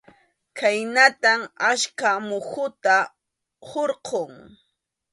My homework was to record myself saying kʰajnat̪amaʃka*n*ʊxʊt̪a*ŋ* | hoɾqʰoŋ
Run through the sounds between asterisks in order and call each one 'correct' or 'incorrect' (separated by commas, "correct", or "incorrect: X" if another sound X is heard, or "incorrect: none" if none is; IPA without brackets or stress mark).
incorrect: m, incorrect: none